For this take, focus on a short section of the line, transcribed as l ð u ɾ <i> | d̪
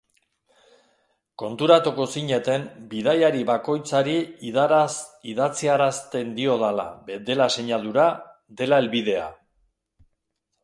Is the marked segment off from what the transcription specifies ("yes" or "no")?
yes